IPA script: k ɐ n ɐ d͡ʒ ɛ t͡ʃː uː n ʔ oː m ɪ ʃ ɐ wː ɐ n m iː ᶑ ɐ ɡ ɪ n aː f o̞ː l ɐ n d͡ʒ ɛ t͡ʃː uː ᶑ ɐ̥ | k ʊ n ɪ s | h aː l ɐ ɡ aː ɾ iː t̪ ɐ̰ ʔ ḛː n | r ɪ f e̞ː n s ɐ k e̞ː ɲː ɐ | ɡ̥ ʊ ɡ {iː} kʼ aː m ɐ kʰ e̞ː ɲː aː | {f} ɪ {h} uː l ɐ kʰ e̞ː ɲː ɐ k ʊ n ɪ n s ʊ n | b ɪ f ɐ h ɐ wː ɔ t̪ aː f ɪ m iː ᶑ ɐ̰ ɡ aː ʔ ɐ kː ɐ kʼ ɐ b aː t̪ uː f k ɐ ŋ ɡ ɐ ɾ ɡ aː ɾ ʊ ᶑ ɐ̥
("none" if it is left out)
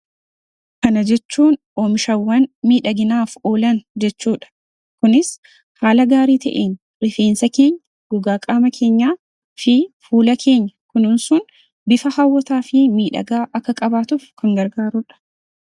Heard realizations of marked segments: aː, f, f

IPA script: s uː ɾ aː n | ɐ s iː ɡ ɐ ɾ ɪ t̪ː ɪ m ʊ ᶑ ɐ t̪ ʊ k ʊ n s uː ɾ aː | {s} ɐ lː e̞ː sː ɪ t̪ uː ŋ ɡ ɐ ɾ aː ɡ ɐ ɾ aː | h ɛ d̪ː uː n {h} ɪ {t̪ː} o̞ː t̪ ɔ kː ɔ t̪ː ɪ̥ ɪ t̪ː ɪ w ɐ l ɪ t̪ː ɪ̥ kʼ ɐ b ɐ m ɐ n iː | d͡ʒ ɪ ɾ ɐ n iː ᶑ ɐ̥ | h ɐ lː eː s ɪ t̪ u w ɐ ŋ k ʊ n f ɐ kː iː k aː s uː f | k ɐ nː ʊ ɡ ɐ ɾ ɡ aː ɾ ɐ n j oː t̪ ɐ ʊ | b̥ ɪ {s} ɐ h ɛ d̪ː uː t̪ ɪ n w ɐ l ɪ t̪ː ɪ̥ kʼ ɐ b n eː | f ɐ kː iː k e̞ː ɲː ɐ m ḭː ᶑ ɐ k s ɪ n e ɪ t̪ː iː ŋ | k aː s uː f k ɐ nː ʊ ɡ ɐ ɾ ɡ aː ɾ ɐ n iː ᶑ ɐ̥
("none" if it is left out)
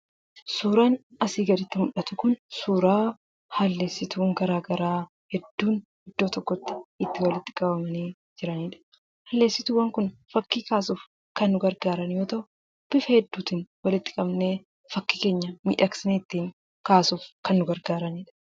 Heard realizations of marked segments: h, h, d̪ː, f

